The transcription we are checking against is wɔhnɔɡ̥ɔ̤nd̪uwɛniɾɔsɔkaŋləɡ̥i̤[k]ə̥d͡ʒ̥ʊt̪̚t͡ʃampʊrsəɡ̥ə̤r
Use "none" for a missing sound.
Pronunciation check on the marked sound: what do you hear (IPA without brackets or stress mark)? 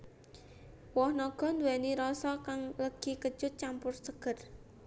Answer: k